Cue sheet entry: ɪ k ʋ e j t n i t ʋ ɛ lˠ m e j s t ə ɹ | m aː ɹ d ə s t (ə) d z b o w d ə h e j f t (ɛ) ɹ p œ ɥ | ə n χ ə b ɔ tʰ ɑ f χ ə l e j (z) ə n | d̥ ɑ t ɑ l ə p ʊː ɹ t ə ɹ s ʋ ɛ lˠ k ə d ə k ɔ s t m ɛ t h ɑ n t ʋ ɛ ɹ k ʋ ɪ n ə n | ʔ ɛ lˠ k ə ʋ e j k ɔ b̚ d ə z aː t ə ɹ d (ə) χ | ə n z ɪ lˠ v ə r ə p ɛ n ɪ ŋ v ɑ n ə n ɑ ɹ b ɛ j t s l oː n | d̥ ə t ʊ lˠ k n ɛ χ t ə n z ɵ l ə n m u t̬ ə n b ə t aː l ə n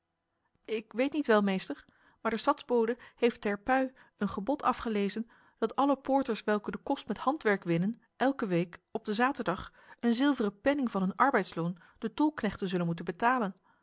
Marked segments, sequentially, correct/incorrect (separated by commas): incorrect, correct, correct, incorrect